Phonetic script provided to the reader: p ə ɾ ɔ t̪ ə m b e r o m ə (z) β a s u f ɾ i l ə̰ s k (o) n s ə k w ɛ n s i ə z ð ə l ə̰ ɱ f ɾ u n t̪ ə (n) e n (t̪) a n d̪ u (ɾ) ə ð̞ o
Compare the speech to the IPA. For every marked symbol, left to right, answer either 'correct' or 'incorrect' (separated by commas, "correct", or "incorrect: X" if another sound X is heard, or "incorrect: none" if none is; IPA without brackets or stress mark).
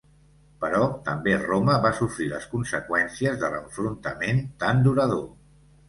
incorrect: none, incorrect: u, incorrect: m, correct, correct